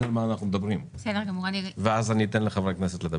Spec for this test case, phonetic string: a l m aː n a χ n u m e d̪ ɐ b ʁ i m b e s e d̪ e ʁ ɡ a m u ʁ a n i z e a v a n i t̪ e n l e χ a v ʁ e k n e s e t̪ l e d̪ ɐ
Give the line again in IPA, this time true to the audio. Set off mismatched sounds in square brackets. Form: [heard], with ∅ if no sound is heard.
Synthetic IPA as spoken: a l m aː n a χ n u m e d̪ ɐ b ʁ i m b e s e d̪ e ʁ ɡ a m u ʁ a n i [v] e a [z] a n i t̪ e n l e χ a v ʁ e k n e s e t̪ l e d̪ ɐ